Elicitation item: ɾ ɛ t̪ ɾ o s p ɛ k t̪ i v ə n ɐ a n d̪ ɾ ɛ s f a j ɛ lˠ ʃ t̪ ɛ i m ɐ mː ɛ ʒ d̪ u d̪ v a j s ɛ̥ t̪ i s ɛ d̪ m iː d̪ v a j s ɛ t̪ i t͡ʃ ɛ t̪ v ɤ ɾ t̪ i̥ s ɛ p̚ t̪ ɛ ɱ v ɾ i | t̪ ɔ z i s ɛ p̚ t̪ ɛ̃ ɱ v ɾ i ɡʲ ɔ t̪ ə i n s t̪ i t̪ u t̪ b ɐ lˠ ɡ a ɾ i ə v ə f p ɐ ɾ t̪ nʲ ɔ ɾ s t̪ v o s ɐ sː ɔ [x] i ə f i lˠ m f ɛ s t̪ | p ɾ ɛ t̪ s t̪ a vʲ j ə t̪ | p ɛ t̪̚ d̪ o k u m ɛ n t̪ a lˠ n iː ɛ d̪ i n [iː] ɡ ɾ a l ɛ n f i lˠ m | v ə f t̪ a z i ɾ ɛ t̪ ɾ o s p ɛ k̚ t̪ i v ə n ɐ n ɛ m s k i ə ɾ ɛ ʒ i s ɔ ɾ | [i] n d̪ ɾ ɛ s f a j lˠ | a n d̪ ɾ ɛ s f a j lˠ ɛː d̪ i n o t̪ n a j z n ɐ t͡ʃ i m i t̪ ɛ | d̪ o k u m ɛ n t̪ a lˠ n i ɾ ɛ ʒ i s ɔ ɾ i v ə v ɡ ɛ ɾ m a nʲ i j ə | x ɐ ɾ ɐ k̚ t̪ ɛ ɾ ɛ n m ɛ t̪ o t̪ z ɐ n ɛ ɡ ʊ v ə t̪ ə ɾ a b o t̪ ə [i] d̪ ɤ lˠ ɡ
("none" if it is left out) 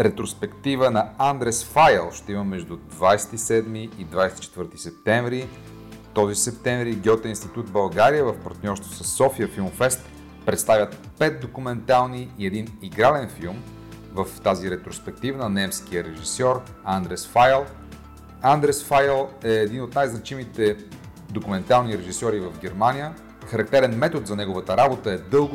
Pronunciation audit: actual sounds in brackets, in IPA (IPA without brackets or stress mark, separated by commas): f, i, a, ɛ